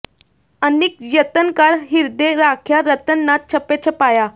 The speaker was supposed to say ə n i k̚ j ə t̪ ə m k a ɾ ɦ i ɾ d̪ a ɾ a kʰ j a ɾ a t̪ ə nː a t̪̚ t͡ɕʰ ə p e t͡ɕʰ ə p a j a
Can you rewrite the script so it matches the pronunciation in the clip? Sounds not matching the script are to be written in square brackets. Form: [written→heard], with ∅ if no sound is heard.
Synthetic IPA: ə n i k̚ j ə t̪ ə [m→n] k a ɾ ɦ i ɾ d̪ [a→e] ɾ a kʰ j a ɾ [a→ə] t̪ ə nː a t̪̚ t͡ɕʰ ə p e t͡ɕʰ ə p a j a